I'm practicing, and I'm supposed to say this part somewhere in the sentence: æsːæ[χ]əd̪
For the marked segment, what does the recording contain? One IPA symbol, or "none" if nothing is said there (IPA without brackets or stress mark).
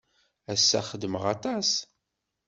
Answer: χ